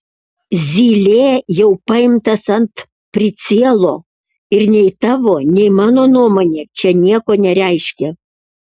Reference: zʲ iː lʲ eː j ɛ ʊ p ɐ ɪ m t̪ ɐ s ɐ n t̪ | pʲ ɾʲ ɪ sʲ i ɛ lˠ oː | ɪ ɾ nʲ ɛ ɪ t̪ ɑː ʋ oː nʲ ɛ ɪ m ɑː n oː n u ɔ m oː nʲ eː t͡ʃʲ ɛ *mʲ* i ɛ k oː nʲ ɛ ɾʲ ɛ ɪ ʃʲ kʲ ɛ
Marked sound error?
yes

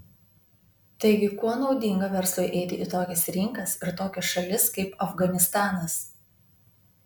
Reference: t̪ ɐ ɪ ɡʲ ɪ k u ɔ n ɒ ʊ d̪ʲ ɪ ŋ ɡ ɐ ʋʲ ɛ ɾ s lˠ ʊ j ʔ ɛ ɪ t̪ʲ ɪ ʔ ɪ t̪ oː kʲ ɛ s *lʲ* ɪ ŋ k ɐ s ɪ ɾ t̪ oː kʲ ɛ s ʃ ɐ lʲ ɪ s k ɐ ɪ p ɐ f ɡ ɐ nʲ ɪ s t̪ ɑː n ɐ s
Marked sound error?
yes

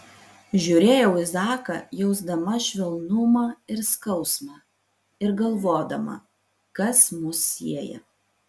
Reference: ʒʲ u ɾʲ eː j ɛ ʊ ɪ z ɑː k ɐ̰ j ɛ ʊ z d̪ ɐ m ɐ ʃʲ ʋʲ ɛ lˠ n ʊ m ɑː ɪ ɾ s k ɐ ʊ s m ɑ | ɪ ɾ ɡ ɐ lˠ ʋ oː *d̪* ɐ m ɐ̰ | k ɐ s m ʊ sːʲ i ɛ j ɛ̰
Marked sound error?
no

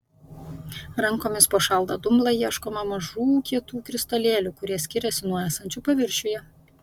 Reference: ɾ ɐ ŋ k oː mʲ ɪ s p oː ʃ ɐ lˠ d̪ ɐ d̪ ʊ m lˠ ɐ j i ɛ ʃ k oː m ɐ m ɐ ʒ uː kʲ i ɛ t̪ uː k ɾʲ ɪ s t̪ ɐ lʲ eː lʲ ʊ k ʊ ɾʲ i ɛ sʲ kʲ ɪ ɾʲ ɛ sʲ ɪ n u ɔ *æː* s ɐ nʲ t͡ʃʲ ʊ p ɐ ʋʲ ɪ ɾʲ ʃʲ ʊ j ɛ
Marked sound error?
no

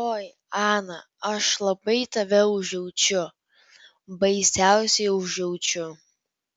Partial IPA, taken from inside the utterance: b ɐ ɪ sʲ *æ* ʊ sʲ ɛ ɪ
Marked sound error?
no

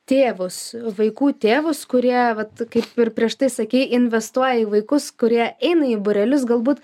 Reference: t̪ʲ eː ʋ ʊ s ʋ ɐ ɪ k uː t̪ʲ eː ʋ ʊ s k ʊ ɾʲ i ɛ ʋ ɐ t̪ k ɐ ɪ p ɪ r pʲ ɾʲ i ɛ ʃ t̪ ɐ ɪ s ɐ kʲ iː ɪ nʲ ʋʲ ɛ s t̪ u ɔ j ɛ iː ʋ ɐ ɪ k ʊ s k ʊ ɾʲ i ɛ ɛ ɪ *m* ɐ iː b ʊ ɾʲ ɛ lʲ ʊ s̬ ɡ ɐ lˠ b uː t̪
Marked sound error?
yes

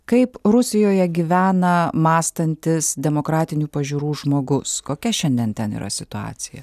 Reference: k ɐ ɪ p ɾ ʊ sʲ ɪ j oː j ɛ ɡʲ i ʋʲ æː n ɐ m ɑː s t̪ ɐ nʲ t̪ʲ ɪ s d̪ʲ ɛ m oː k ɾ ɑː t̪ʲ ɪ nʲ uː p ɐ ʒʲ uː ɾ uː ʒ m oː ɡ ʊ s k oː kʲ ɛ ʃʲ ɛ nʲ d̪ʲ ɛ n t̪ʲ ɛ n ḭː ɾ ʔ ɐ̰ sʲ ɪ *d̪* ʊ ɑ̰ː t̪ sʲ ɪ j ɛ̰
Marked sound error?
yes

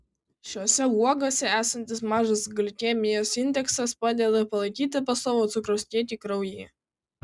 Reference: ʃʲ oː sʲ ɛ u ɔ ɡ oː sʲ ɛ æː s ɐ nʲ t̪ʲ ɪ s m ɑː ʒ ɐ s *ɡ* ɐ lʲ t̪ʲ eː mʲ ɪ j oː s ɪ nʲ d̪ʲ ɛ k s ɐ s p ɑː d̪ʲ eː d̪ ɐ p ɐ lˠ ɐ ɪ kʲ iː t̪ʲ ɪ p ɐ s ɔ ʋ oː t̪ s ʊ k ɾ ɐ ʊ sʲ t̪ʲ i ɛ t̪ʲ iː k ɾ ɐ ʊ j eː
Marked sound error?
no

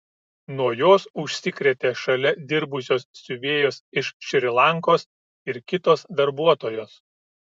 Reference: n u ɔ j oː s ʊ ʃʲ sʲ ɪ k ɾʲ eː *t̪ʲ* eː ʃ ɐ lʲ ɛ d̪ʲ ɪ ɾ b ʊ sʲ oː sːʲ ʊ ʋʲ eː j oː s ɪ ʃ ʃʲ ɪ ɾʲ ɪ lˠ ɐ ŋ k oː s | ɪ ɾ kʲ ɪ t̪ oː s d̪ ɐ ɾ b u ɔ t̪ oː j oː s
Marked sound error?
no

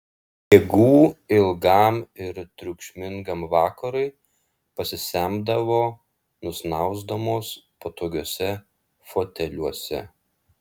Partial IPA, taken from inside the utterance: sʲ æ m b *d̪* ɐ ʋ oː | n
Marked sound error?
no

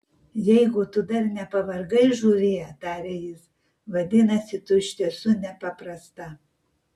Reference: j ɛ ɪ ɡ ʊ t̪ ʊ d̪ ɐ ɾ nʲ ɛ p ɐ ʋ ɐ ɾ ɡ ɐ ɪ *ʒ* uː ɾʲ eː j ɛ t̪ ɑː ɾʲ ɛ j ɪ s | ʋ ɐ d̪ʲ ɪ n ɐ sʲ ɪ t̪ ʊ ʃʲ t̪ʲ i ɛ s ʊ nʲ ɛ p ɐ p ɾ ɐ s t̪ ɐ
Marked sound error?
no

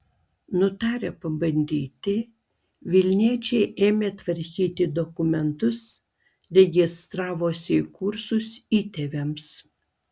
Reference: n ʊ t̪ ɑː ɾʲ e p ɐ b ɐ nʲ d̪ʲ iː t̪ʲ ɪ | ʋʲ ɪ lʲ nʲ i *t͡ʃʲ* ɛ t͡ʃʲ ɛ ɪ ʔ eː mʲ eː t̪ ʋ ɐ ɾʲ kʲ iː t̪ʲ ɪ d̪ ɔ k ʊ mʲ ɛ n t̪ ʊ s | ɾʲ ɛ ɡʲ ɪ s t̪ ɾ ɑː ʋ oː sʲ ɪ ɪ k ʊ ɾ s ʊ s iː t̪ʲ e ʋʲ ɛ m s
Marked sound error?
yes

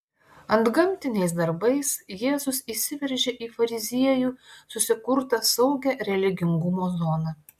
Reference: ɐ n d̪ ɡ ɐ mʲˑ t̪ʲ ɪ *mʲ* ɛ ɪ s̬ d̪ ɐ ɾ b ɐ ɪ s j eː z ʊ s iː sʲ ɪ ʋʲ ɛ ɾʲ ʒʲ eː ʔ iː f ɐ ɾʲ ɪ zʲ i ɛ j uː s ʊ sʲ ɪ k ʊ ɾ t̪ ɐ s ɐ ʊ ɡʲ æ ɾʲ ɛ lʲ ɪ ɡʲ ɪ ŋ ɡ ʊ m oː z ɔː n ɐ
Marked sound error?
yes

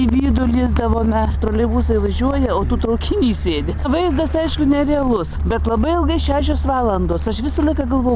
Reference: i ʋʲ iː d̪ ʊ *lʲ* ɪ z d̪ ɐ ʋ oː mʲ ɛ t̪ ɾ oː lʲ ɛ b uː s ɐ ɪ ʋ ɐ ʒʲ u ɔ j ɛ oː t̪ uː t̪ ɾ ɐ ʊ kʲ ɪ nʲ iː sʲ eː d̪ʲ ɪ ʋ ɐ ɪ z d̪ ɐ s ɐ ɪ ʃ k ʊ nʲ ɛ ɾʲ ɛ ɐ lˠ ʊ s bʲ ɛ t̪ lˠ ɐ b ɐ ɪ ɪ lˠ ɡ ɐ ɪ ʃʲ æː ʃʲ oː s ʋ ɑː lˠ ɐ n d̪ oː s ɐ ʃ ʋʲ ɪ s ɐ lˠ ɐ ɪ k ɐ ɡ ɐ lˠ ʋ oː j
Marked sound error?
no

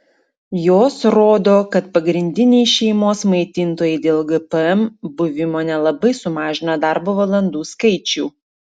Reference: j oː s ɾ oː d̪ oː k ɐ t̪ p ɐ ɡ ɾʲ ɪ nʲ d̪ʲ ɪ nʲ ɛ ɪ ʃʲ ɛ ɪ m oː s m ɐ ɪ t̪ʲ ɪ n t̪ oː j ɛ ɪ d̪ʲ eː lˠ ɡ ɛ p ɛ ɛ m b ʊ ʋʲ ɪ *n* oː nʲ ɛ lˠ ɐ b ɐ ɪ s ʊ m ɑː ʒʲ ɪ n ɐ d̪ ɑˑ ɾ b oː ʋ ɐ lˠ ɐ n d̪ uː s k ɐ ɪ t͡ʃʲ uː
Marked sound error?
yes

